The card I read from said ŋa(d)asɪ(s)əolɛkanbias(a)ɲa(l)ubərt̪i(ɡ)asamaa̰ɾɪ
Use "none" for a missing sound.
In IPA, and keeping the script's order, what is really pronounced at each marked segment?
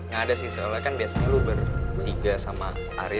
d, s, a, l, ɡ

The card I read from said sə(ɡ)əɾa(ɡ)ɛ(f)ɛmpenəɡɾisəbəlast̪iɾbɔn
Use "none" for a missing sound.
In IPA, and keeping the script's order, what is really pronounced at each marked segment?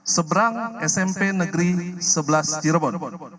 b, ŋ, s

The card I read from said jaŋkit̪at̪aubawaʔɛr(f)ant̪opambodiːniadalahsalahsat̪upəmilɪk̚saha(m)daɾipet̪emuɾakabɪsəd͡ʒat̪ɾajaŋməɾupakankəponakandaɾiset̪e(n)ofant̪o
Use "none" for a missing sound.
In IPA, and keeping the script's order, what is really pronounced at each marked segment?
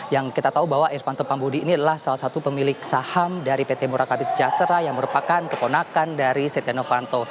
f, m, n

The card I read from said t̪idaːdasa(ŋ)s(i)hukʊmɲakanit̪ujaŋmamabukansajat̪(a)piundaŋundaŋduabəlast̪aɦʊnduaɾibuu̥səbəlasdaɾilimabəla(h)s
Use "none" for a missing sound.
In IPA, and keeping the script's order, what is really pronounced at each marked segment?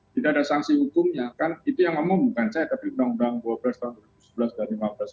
ŋ, i, a, none

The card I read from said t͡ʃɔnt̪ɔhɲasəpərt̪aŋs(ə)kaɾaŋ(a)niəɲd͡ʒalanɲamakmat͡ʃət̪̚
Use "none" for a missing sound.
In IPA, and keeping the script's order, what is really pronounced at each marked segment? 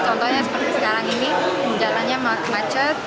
ə, i

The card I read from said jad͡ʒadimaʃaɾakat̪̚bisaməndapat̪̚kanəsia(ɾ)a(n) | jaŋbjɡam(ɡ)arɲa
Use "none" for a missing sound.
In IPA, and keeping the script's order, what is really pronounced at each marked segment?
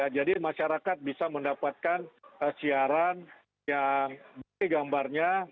ɾ, n, b

